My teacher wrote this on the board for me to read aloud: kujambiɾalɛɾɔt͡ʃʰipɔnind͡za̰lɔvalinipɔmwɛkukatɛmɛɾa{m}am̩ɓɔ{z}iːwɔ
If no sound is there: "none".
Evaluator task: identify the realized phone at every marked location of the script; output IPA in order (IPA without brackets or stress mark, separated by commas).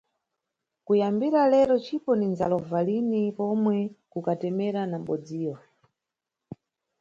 n, d͡z